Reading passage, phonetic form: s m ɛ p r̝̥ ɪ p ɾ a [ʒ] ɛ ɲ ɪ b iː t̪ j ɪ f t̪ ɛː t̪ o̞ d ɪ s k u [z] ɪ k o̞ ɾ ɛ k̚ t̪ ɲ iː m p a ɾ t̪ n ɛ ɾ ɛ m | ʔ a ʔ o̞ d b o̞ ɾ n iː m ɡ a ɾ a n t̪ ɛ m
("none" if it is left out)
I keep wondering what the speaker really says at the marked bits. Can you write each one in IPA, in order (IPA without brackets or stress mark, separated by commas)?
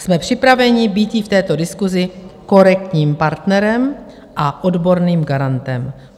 v, z